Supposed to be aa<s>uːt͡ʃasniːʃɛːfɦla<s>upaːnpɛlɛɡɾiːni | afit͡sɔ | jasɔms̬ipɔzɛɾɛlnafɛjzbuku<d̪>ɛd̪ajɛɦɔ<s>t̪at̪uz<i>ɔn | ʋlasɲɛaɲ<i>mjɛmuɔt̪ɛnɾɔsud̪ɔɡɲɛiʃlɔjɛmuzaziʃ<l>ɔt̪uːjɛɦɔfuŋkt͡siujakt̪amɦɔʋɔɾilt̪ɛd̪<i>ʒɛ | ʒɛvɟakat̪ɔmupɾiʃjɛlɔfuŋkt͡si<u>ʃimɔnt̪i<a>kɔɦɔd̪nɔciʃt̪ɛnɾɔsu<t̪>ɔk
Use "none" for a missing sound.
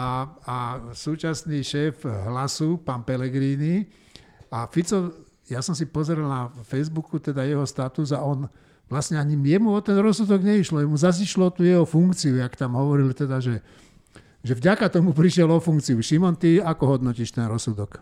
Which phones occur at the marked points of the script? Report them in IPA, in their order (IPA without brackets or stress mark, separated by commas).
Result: s, s, t̪, s, a, i, l, a, u, a, d̪